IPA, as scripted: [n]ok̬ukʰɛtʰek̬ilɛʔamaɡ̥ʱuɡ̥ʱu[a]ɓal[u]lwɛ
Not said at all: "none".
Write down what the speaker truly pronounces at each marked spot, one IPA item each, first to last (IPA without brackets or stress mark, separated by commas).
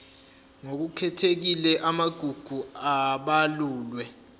ŋ, a, uː